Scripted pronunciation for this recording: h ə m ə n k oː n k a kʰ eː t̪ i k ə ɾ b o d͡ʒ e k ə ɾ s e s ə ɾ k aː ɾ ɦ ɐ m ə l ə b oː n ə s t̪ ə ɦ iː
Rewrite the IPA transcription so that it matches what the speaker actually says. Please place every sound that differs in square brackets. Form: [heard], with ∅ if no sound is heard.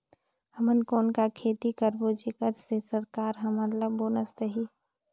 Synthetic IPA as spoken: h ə m ə n k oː n k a kʰ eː t̪ i k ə ɾ b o d͡ʒ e k ə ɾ s e s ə ɾ k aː ɾ ɦ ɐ m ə l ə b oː n ə s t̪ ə ɦ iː